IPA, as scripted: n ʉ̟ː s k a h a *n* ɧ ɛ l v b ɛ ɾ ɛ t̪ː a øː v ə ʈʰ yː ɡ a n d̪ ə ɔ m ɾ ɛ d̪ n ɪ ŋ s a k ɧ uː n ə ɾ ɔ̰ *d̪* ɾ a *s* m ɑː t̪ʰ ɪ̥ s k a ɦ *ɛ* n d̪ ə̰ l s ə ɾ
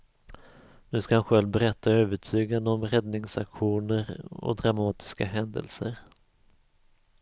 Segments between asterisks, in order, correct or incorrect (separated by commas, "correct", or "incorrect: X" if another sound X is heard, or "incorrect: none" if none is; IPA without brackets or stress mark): correct, correct, incorrect: none, correct